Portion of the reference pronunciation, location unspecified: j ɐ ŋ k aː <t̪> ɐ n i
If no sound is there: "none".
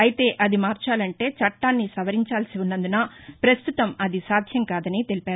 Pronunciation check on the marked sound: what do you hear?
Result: d̪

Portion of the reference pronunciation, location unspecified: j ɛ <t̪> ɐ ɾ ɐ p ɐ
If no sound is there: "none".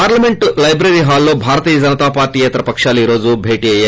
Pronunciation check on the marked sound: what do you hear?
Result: t̪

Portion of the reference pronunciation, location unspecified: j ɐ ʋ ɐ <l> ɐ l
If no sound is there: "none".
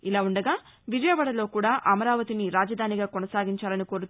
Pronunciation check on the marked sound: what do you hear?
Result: ɽ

